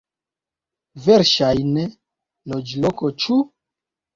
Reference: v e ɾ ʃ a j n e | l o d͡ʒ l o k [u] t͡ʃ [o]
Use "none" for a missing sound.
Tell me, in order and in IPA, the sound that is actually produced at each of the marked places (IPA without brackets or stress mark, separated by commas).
o, u